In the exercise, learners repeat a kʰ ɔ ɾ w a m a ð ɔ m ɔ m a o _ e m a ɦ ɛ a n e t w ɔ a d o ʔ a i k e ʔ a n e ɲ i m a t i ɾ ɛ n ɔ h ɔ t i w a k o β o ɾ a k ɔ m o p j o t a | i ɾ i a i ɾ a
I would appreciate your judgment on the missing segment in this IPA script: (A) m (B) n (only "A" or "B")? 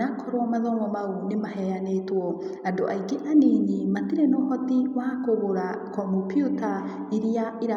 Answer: B